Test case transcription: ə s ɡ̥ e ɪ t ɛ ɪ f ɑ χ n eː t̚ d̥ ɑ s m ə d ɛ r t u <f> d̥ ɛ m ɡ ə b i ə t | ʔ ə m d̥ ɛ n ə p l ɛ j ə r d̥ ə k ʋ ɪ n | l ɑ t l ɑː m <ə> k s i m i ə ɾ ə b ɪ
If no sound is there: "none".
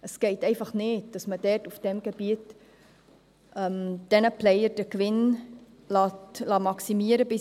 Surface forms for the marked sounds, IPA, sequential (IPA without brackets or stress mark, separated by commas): f, ɑ